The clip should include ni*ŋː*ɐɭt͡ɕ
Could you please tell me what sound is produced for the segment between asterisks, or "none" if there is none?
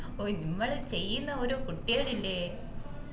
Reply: mː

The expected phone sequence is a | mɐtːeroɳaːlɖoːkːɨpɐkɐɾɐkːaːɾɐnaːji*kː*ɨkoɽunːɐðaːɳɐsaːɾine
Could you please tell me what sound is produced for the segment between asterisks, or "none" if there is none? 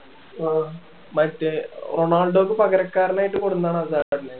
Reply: ʈː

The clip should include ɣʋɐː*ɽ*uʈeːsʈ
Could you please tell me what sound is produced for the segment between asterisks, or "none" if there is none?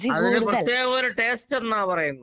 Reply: ɾ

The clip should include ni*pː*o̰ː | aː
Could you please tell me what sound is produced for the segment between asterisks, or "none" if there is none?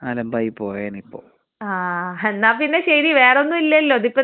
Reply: pː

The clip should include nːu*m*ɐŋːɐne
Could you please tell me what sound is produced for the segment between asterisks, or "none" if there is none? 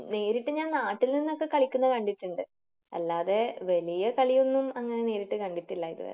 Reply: m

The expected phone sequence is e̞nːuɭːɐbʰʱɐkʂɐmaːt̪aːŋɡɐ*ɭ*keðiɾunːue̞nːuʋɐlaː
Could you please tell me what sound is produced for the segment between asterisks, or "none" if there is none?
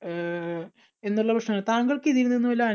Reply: ɭ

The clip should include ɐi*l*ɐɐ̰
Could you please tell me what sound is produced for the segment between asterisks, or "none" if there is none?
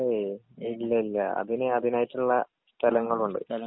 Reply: lː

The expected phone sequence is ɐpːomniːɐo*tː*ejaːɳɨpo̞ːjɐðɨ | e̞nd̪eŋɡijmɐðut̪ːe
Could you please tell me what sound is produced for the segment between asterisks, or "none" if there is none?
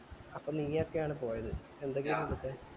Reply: kː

